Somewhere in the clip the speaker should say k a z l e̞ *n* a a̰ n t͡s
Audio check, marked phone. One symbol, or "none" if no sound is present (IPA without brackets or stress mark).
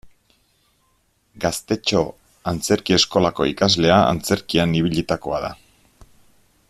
none